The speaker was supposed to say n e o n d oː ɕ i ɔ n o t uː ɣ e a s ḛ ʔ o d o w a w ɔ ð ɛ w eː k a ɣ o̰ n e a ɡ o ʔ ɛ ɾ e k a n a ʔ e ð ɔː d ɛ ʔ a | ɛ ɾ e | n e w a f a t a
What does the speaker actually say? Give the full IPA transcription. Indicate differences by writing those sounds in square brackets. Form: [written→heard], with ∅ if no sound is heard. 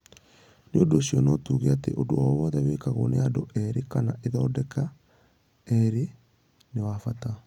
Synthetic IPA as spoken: n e o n d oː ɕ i ɔ n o t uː ɣ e a [s→t] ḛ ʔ o d o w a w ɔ ð ɛ w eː k a ɣ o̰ n e a [ɡ→d] o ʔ ɛ ɾ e k a n a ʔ e ð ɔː d ɛ [ʔ→k] a | ɛ ɾ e | n e w a f a t a